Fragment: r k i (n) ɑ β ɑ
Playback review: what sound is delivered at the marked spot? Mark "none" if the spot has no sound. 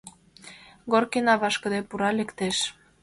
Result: n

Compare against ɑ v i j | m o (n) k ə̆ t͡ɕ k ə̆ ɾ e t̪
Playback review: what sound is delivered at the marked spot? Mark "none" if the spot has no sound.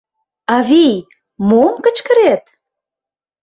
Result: m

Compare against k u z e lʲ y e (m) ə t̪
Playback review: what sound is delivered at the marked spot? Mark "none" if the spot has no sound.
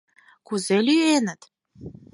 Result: n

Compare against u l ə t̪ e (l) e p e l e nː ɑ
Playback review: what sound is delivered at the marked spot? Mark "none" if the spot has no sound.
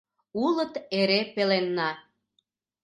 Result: ɾ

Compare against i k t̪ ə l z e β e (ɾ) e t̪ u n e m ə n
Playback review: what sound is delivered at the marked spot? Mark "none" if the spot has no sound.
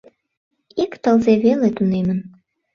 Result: l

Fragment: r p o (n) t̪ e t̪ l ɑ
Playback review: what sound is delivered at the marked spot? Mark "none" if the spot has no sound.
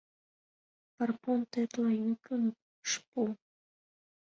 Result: n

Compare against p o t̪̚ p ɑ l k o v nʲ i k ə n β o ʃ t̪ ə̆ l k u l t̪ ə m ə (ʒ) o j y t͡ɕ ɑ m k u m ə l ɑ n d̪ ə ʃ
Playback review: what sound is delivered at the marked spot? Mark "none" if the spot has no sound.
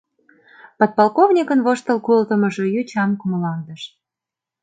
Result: ʒ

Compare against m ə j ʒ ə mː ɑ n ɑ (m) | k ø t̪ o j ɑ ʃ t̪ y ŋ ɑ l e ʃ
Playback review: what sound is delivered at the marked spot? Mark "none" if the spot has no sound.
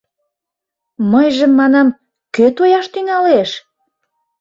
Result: m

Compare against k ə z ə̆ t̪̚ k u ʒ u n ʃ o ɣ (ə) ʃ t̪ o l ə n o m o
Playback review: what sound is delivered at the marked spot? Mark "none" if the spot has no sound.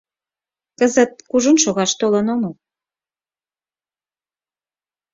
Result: ɑ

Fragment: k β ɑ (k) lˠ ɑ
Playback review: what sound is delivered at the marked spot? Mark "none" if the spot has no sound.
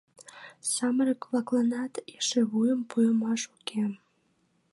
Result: k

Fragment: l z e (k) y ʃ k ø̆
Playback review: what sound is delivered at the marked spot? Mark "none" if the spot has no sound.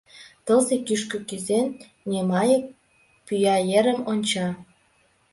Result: k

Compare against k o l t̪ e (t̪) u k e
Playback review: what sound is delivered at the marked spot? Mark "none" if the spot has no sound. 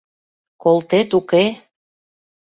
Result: t̪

